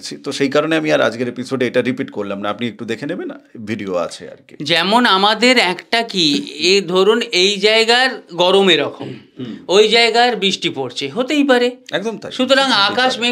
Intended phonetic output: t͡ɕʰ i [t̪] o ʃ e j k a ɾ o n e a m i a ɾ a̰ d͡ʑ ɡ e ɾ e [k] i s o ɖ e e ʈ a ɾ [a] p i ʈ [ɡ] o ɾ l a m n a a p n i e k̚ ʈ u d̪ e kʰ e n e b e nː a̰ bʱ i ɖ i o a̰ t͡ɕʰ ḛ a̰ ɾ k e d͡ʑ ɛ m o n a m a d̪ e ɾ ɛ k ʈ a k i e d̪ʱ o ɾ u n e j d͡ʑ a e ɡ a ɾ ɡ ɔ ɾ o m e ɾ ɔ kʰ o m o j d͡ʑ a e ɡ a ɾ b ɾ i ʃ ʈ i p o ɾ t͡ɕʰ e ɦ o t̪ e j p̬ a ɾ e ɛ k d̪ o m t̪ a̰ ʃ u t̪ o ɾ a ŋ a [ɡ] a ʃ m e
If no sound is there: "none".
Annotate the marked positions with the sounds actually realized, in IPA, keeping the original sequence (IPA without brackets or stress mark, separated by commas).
t̪, p, i, k, k